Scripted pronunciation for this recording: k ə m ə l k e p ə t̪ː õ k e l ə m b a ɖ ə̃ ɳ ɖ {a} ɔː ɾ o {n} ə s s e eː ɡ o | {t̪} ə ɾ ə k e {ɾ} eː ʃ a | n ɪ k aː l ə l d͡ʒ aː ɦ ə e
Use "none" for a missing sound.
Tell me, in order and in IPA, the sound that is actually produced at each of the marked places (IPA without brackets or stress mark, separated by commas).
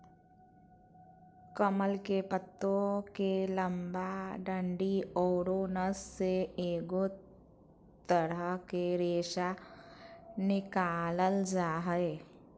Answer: i, n, t̪, ɾ